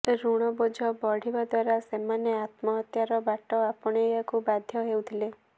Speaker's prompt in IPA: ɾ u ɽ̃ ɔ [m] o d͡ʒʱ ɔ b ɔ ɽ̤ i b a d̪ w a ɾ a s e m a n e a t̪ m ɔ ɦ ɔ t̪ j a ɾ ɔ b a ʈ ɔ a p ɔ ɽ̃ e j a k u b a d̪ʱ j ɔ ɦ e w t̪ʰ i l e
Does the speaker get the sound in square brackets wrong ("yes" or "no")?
yes